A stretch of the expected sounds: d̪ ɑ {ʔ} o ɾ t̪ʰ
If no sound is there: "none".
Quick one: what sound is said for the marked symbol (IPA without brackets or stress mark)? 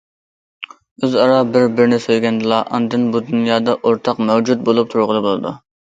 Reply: ʔ